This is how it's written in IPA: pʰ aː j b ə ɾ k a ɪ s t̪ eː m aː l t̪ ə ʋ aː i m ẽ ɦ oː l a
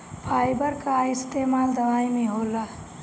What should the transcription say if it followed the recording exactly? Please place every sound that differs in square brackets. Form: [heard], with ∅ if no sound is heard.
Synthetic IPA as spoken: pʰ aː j b ə ɾ k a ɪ s t̪ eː m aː l [d̪] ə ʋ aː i m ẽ ɦ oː l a